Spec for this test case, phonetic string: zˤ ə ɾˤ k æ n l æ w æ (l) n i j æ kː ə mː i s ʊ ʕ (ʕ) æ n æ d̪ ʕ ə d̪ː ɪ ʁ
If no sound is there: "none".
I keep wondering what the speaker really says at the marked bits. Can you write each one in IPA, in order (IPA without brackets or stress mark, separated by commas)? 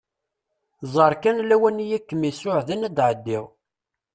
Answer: none, ð